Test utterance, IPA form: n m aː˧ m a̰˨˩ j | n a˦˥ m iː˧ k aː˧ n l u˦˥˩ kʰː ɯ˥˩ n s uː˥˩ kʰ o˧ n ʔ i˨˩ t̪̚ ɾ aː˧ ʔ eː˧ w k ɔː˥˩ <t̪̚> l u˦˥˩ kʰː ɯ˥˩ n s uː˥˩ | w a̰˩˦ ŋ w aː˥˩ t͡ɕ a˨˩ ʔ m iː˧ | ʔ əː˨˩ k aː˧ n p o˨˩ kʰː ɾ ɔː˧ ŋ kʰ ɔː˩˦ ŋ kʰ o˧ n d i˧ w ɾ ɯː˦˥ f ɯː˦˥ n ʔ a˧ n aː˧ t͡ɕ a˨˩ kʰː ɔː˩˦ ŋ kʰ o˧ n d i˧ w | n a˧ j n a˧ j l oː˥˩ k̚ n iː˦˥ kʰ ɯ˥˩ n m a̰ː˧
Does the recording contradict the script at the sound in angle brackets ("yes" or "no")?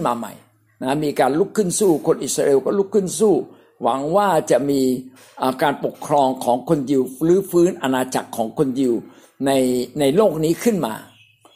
yes